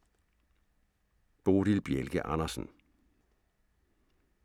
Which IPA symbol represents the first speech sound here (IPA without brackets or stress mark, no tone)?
b̥